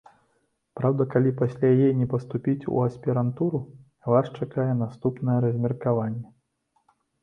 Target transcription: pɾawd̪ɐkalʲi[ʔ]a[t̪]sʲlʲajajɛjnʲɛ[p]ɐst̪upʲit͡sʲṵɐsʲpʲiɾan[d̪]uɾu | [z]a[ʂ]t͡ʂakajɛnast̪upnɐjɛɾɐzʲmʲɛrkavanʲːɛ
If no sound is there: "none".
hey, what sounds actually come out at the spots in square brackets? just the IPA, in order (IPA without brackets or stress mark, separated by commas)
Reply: p, none, p, t̪, v, ʂ